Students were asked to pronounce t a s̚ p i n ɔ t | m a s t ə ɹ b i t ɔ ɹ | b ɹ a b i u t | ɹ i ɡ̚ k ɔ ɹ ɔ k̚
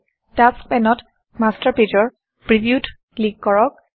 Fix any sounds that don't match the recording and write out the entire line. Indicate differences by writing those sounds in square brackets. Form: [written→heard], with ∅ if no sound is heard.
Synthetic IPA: t a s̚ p [i→ɛ] n ɔ t | m a s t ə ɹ [b→p] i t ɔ ɹ | [b→p] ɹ [a→i] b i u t | [ɹ→l] i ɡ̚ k ɔ ɹ ɔ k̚